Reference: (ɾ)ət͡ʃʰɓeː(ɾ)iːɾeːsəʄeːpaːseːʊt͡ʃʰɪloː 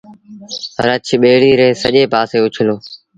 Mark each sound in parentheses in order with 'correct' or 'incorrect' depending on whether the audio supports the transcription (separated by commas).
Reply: correct, incorrect